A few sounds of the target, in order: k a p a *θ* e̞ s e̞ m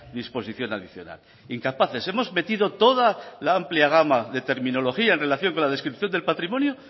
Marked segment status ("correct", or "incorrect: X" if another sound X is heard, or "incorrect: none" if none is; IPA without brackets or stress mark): correct